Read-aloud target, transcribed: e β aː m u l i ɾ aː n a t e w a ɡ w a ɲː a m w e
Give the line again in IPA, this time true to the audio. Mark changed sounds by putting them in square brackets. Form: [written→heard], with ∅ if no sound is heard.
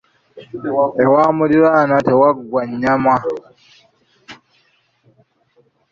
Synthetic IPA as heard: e [β→w] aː m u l i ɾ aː n a t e w a ɡ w a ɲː a m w [e→a]